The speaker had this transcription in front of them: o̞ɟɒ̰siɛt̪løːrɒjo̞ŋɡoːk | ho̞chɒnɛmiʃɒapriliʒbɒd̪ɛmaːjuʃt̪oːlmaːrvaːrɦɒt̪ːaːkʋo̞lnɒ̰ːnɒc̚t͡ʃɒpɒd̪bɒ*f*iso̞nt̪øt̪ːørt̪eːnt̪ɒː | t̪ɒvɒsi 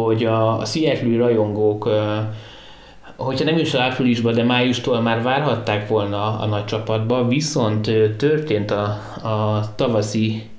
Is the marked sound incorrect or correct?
incorrect